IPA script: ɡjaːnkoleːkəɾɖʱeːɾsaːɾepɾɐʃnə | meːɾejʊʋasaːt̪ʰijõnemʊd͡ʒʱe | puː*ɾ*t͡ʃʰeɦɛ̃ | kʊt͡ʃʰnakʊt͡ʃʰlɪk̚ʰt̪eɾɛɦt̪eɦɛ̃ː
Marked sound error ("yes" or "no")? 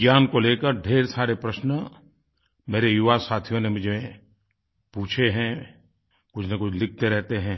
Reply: yes